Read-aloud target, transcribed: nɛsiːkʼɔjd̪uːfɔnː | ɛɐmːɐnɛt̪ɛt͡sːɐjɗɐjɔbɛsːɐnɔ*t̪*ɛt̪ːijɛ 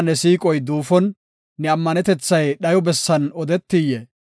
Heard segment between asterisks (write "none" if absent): d̪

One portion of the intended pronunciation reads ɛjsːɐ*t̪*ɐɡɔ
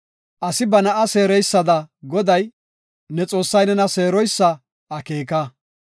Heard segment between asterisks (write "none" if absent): d̪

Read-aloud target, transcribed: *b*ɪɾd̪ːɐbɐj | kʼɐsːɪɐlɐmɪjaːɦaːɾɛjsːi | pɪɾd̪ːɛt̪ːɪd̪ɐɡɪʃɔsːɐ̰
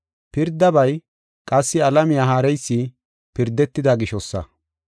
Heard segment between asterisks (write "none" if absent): p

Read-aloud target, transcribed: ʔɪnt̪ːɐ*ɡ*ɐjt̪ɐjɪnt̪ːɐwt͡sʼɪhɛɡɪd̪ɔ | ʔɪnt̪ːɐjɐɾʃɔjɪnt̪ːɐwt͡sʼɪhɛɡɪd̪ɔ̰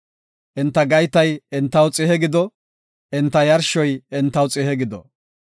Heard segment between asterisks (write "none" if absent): ɡ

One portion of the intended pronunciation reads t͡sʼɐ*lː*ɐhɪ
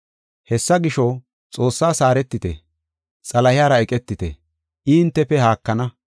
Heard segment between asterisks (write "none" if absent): l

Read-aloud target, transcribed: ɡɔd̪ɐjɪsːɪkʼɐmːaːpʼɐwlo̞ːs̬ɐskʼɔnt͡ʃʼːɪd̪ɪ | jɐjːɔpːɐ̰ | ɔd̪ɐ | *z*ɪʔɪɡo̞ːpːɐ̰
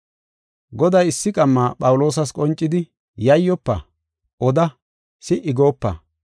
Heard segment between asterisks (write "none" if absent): s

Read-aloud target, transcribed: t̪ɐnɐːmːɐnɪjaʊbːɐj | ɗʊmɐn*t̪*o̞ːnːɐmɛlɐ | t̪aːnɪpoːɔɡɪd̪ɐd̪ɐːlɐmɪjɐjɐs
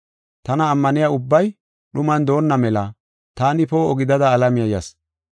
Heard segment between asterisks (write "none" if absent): d̪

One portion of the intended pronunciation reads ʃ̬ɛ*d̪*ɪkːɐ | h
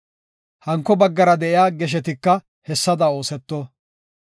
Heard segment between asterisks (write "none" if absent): t̪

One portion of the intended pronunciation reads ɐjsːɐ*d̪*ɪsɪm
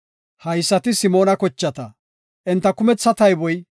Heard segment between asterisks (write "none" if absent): t̪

